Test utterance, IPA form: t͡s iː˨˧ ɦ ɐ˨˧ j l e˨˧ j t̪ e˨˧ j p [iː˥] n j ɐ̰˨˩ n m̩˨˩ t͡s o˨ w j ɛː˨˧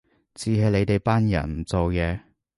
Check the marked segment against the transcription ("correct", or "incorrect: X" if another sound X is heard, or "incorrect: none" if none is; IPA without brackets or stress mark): incorrect: aː˥